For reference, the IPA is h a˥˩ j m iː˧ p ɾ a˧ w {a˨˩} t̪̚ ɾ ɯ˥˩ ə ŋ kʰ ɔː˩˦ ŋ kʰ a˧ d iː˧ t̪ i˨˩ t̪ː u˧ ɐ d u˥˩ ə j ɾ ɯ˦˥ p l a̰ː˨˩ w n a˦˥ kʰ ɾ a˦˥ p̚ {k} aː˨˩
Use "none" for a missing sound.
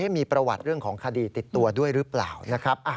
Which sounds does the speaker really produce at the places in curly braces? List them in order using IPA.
a˨˩, ʔ

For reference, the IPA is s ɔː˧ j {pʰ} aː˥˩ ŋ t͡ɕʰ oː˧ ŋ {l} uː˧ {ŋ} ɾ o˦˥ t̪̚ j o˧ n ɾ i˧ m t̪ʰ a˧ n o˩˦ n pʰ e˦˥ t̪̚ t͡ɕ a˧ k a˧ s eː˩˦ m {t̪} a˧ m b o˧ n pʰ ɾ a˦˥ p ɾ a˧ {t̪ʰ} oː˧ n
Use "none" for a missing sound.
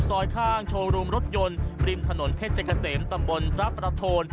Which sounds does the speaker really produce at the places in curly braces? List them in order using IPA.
kʰ, ɾ, m, t̪, t̪ʰ

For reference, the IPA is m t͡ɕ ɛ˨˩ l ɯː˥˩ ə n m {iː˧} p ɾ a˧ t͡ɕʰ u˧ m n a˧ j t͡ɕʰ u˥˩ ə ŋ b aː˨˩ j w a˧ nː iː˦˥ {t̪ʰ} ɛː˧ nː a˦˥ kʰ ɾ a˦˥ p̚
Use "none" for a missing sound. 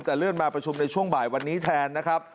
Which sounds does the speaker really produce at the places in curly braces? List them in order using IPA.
aː˧, t̪ʰ

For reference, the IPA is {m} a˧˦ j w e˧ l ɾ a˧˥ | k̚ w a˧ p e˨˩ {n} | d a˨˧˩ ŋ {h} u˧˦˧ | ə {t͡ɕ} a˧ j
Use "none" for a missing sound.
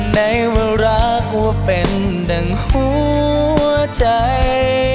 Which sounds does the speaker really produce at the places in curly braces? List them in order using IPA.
n, n, h, t͡ɕ

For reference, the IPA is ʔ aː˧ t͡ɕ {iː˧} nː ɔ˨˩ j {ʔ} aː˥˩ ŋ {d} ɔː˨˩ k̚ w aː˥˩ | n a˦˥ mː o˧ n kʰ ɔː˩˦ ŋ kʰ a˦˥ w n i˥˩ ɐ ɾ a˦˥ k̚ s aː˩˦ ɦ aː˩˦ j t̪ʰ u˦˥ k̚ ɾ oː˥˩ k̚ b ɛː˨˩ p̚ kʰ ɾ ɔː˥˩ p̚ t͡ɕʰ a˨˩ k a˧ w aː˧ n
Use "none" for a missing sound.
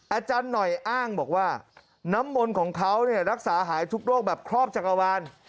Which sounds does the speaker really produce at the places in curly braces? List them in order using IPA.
aː˧, ʔ, b

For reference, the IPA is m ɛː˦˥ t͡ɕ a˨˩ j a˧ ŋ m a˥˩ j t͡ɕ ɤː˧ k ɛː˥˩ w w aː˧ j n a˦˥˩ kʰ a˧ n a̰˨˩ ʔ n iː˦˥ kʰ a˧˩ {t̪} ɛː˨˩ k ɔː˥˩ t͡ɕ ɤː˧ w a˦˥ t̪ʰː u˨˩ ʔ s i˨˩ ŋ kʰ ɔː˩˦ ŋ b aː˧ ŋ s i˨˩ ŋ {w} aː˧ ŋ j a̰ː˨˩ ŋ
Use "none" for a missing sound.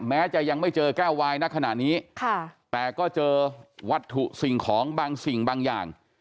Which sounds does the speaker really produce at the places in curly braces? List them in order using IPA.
t̪, b

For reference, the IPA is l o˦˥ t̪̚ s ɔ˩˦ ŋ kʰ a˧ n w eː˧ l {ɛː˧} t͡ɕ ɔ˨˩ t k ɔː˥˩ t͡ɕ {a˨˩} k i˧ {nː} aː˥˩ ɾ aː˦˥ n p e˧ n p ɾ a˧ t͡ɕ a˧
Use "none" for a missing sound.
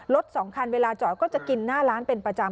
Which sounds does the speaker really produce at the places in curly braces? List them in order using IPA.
aː˧, a˨˩, nː

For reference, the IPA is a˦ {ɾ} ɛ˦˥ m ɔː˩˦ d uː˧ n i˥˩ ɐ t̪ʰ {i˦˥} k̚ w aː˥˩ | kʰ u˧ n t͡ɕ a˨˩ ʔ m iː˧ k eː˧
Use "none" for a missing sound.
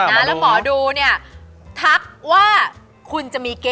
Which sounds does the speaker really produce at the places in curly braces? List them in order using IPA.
l, a˦˥

